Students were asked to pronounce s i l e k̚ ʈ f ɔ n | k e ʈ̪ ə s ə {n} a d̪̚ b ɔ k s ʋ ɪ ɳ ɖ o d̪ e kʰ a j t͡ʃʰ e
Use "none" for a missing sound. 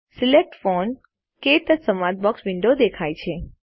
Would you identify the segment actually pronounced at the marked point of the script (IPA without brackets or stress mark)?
m